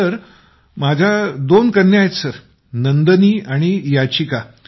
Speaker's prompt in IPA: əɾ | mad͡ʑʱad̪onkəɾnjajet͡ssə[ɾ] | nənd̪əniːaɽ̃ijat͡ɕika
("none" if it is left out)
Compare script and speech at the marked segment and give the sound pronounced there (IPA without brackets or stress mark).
ɾ